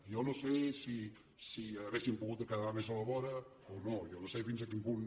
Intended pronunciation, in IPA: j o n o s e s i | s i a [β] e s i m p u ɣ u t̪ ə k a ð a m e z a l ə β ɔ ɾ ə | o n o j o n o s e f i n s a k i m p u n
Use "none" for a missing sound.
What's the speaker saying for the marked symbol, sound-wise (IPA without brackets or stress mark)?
β